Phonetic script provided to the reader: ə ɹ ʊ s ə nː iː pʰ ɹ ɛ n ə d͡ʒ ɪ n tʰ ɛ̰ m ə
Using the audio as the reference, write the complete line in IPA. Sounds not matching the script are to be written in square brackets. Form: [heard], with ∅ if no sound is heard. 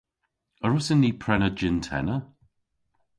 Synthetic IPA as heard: ə ɹ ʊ s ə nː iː pʰ ɹ ɛ n ə d͡ʒ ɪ n tʰ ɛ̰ [n] ə